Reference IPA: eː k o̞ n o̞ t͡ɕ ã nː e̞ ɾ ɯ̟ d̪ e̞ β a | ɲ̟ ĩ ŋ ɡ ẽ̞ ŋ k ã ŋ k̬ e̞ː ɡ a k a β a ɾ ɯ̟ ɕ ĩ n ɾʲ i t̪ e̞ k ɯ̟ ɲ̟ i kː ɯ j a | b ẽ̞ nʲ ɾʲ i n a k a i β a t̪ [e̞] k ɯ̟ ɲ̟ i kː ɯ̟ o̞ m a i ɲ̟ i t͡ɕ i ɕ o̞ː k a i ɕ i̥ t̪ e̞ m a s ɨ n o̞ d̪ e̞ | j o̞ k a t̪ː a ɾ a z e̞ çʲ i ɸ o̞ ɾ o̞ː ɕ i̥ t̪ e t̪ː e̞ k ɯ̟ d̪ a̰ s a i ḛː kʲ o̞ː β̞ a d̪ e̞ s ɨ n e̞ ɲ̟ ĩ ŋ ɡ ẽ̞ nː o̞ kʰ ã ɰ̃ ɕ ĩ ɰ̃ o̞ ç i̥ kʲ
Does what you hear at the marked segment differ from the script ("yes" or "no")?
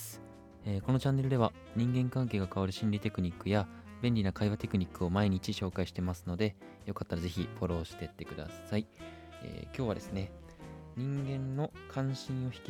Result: no